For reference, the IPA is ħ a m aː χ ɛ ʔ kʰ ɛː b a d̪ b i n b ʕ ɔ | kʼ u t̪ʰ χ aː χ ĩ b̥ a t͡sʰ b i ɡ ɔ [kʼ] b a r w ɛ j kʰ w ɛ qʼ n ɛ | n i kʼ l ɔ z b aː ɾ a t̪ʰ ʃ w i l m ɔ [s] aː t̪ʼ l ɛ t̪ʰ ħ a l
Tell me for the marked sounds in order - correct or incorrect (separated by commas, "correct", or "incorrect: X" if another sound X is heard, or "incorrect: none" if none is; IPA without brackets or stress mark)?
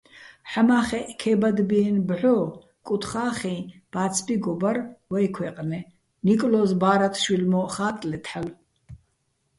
incorrect: none, incorrect: χ